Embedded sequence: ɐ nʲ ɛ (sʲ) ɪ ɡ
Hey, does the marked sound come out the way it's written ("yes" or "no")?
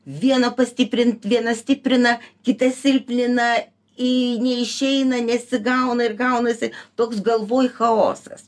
yes